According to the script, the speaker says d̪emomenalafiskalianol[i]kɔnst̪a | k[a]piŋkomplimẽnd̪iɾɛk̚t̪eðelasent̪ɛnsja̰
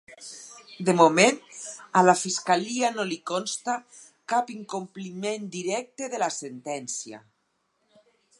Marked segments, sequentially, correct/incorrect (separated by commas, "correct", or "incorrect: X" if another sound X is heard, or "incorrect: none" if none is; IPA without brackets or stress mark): correct, correct